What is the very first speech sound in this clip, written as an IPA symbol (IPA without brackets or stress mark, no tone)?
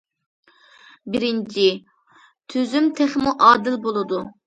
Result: b